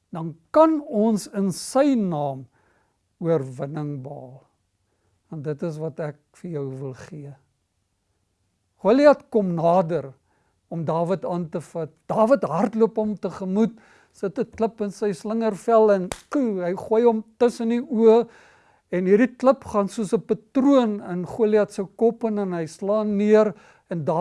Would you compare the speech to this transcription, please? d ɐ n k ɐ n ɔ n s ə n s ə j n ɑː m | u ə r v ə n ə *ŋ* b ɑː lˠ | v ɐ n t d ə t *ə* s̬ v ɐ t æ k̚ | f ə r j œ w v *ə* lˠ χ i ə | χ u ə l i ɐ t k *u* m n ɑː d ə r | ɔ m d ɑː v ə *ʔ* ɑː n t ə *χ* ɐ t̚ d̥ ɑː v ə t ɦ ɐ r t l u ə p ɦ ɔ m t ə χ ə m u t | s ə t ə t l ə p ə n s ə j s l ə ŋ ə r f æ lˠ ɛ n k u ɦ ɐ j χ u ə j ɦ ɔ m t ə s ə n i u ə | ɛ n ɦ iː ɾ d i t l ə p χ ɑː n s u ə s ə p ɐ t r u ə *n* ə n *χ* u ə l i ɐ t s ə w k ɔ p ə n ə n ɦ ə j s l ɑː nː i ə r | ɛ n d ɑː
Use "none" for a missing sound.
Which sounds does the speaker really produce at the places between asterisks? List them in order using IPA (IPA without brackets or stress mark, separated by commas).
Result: ŋ, ə, ə, ɔ, t, f, n, χ